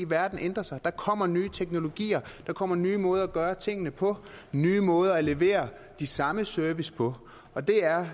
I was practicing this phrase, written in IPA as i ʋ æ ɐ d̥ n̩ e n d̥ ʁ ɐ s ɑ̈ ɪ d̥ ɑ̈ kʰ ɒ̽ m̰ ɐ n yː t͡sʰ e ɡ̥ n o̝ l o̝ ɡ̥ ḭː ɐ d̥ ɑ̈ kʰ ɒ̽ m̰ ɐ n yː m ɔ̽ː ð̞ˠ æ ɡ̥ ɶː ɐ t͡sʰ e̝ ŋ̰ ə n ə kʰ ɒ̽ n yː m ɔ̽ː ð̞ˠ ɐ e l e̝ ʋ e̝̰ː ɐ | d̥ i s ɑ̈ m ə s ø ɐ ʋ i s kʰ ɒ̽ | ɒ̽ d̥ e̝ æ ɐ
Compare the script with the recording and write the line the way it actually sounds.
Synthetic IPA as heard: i ʋ æ ɐ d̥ n̩ e n d̥ ʁ ɐ s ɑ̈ ɪ d̥ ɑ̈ kʰ ɒ̽ m̰ ɐ n yː t͡sʰ e ɡ̥ n o̝ l o̝ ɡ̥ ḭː ɐ d̥ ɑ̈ kʰ ɒ̽ m̰ ɐ n yː m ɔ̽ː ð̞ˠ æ ɡ̥ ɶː ɐ t͡sʰ e̝ ŋ̰ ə n ə pʰ ɒ̽ n yː m ɔ̽ː ð̞ˠ ɐ æ l e̝ ʋ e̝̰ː ɐ | d̥ i s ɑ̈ m ə s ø ɐ ʋ i s pʰ ɒ̽ | ɒ̽ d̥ e̝ æ ɐ

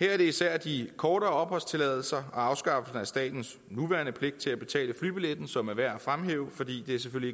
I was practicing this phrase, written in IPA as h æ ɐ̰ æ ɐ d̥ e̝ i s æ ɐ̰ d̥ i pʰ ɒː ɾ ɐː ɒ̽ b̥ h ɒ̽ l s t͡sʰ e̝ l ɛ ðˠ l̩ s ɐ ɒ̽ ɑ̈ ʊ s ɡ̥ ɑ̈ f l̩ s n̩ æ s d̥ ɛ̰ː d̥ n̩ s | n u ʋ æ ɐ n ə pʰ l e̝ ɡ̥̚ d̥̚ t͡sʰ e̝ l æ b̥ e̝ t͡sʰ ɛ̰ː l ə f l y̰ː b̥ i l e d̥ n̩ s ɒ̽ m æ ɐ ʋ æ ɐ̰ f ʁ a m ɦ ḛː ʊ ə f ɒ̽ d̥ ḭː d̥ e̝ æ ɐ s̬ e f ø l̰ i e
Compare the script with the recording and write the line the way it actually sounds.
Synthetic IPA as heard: h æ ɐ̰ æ ɐ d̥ e̝ i s æ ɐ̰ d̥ i kʰ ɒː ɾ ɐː ɒ̽ b̥ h ɒ̽ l s t͡sʰ e̝ l ɛ ðˠ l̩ s ɐ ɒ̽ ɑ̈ ʊ s ɡ̥ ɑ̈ f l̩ s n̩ æ s d̥ ɛ̰ː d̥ n̩ s | n u ʋ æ ɐ n ə pʰ l e̝ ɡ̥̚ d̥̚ t͡sʰ e̝ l æ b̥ e̝ t͡sʰ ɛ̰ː l ə f l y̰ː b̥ i l e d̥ n̩ s ɒ̽ m æ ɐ ʋ æ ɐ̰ f ʁ a m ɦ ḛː ʊ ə f ɒ̽ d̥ ḭː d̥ e̝ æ ɐ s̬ e f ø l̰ i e

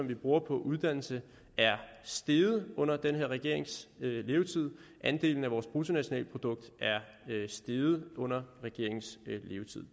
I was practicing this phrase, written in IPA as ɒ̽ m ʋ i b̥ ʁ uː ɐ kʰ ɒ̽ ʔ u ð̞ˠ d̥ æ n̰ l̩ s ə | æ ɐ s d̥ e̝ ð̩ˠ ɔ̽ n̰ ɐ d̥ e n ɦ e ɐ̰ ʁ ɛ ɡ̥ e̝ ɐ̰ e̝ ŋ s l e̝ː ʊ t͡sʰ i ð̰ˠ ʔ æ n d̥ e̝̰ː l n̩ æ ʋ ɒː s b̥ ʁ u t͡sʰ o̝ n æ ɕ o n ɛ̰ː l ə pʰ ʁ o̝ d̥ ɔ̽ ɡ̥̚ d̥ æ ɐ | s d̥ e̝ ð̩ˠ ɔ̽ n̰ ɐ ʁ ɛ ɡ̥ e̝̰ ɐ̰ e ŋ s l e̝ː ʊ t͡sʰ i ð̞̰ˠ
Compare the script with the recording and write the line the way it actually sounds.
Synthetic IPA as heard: ɒ̽ m ʋ i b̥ ʁ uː ɐ pʰ ɒ̽ ʔ u ð̞ˠ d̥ æ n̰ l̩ s ə | æ ɐ s d̥ e̝ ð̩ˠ ɔ̽ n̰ ɐ d̥ e n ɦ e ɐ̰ ʁ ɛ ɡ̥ e̝ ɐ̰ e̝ ŋ s l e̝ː ʊ t͡sʰ i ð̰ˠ ʔ æ n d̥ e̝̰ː l n̩ æ ʋ ɒː s b̥ ʁ u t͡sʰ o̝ n æ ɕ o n ɛ̰ː l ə pʰ ʁ o̝ d̥ ɔ̽ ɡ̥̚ d̥ æ ɐ | s d̥ e̝ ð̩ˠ ɔ̽ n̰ ɐ ʁ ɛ ɡ̥ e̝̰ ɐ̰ e ŋ s l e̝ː ʊ t͡sʰ i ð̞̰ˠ

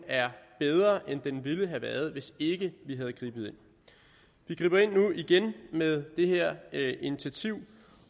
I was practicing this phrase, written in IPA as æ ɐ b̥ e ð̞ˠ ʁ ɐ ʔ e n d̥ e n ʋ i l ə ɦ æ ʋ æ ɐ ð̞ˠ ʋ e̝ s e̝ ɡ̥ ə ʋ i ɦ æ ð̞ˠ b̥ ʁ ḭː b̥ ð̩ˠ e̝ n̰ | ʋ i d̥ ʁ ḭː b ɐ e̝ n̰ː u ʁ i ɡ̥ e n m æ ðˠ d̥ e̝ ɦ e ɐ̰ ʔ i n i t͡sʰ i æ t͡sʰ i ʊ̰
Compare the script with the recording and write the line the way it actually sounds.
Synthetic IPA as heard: æ ɐ b̥ e ð̞ˠ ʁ ɐ ʔ e n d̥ e n ʋ i l ə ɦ æ ʋ æ ɐ ð̞ˠ ʋ e̝ s e̝ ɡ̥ ə ʋ i ɦ æ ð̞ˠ ɡ̥ ʁ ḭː b̥ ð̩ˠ e̝ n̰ | ʋ i ɡ̥ ʁ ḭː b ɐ e̝ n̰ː u i ɡ̥ e n m e ðˠ d̥ e̝ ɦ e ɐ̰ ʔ i n i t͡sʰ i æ t͡sʰ i ʊ̰

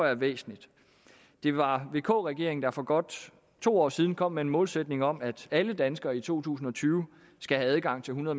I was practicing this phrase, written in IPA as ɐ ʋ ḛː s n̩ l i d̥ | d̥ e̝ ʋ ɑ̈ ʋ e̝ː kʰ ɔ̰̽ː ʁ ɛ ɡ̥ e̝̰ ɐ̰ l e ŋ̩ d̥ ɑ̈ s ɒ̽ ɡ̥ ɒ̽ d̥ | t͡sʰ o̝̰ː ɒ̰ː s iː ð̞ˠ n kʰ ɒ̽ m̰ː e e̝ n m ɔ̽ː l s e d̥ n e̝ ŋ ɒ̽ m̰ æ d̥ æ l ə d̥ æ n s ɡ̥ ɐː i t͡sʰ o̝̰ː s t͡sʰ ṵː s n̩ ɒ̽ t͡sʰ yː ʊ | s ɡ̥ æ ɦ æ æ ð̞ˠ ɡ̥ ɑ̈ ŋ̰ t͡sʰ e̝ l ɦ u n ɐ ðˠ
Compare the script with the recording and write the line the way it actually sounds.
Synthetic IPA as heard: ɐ ʋ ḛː s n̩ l i d̥ | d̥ e̝ ʋ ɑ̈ ʋ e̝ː kʰ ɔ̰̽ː ʁ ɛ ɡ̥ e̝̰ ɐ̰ e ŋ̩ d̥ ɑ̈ f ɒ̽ ɡ̥ ɒ̽ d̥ | t͡sʰ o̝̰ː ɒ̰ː s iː ð̞ˠ n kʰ ɒ̽ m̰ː e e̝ n m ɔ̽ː l s e d̥ n e̝ ŋ ɒ̽ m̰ æ d̥ æ l ə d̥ æ n s ɡ̥ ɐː i t͡sʰ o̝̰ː t͡sʰ ṵː s n̩ ɒ̽ t͡sʰ yː ʊ | s ɡ̥ æ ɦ æ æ ð̞ˠ ɡ̥ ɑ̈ ŋ̰ t͡sʰ e̝ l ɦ u n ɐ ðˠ

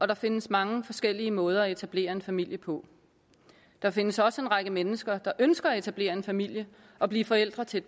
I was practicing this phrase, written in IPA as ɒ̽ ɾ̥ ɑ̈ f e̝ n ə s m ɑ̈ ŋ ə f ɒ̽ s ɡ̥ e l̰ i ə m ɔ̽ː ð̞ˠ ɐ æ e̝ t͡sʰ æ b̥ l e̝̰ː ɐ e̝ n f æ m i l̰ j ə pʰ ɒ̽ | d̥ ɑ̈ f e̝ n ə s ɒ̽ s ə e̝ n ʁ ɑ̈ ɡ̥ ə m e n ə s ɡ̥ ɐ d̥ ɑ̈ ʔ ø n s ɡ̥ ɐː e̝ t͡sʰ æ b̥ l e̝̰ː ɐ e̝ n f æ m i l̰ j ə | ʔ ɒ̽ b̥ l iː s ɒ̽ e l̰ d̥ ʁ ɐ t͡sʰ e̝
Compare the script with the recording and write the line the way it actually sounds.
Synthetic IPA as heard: ɒ̽ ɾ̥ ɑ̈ f e̝ n ə s m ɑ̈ ŋ ə f ɒ̽ s ɡ̥ e l̰ i ə m ɔ̽ː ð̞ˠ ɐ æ e̝ t͡sʰ æ b̥ l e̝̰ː ɐ e̝ n f æ m i l̰ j ə pʰ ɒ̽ | d̥ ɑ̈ f e̝ n ə s ɒ̽ s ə e̝ n ʁ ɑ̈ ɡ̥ ə m e n ə s ɡ̥ ɐ d̥ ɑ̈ ʔ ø n s ɡ̥ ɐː e̝ t͡sʰ æ b̥ l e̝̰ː ɐ e̝ n f æ m i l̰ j ə | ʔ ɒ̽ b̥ l iː f ɒ̽ e l̰ d̥ ʁ ɐ t͡sʰ e̝

